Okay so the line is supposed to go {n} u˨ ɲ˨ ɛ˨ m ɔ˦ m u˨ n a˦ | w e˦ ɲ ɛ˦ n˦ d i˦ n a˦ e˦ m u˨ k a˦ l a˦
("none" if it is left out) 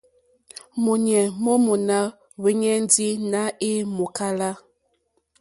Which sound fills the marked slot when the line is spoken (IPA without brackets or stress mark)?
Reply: m